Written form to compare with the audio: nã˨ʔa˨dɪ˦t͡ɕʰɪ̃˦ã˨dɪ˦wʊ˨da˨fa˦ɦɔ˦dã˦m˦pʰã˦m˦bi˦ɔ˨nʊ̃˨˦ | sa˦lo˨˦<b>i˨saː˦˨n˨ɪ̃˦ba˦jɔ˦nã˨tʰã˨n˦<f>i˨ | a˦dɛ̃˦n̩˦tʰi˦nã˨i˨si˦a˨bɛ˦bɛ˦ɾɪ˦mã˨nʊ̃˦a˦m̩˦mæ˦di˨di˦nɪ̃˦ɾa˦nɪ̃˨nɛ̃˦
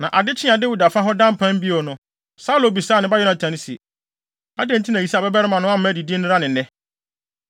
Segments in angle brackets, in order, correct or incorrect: correct, incorrect

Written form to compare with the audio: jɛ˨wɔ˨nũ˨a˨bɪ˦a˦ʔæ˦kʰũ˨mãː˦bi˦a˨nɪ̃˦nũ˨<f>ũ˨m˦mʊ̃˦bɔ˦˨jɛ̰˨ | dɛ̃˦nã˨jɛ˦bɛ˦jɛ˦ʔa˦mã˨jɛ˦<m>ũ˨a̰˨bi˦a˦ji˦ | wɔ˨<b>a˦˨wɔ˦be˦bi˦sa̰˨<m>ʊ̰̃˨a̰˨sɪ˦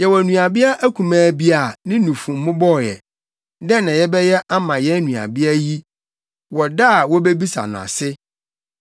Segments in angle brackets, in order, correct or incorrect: correct, incorrect, incorrect, incorrect

